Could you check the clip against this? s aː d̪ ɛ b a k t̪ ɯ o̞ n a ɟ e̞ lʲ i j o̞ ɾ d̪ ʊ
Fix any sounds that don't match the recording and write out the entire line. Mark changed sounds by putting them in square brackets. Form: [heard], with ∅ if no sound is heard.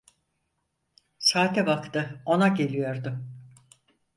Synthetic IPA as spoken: s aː [t̪] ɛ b a k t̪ ɯ o̞ n a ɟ e̞ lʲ i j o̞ ɾ d̪ ʊ